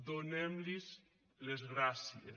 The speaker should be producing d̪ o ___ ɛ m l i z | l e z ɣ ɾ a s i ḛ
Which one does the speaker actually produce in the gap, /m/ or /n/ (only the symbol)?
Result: n